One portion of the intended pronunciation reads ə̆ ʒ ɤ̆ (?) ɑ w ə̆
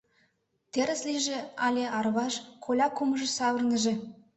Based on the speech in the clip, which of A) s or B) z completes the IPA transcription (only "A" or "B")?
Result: A